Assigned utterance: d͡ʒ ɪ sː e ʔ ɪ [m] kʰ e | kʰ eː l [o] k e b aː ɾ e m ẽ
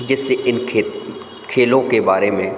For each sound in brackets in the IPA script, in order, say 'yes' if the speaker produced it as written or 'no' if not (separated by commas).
no, no